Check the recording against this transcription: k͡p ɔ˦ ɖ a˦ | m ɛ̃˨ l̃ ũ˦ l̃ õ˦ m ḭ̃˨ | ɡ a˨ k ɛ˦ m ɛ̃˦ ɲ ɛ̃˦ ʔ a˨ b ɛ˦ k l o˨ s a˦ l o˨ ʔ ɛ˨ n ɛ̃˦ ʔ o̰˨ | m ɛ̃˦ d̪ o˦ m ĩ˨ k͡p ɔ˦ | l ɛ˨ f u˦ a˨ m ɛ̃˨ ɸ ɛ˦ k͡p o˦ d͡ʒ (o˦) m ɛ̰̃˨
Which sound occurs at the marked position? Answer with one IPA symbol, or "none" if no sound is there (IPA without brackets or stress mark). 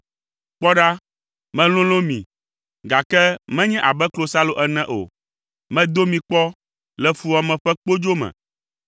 o˦